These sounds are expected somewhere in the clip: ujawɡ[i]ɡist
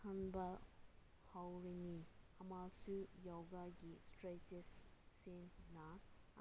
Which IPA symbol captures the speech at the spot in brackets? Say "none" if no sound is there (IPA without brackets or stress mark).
a